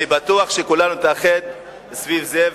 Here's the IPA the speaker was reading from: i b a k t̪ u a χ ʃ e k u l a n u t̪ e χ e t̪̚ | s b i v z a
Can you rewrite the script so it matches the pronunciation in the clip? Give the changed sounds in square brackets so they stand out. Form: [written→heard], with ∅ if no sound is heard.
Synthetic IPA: i b a [k→∅] t̪ u a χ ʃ e k u l a n u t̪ [e→a] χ e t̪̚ | s [b→v] i v z [a→e]